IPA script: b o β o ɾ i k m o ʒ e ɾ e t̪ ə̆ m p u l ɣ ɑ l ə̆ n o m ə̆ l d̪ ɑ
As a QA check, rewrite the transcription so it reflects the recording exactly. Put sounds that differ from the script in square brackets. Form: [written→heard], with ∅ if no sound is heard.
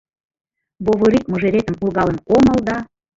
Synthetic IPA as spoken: b o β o ɾ i k m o ʒ e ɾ e t̪ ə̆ m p u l ɣ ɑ l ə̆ n o m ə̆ l d̪ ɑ